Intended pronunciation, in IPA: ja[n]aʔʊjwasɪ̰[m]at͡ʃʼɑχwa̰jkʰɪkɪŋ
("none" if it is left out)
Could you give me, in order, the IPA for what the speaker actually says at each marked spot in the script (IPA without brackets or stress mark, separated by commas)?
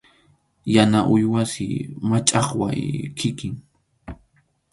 n, m